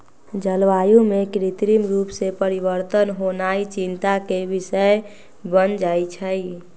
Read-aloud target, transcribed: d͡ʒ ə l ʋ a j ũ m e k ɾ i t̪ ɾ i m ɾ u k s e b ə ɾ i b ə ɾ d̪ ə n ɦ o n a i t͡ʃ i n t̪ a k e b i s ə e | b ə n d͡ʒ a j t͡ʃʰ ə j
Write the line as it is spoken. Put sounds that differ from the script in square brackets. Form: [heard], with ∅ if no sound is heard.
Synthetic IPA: d͡ʒ ə l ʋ a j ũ m e k ɾ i t̪ ɾ i m ɾ u [p] s e [p] ə ɾ i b ə ɾ [t̪] ə n ɦ o n a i t͡ʃ i n t̪ a k e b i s ə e | b ə n d͡ʒ a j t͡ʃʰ ə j